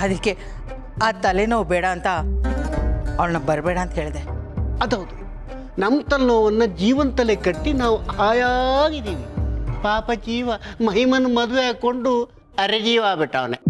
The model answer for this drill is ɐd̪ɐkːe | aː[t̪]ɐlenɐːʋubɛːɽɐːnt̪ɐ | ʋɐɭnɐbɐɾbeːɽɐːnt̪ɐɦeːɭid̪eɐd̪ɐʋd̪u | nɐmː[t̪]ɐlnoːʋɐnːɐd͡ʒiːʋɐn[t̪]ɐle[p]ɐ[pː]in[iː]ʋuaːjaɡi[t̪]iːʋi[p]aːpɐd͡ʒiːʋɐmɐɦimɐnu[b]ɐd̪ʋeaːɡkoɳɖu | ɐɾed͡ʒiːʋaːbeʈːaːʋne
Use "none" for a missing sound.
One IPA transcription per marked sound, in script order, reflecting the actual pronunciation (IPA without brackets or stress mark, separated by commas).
t̪, t̪, t̪, k, ʈː, aː, d̪, p, m